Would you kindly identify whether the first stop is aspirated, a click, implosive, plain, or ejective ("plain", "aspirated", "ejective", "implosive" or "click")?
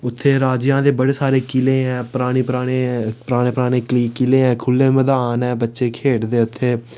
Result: aspirated